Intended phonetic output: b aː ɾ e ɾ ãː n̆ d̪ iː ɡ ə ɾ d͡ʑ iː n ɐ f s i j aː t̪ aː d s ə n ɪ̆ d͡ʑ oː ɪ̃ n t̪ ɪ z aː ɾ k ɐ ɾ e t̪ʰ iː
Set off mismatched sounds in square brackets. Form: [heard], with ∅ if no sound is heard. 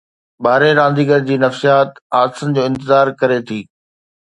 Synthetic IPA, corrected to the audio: b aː ɾ e ɾ ãː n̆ d̪ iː ɡ ə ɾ d͡ʑ iː n ɐ f s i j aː t̪ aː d s ə n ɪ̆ d͡ʑ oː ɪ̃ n t̪ ɪ z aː ɾ k ɐ ɾ e t̪ʰ iː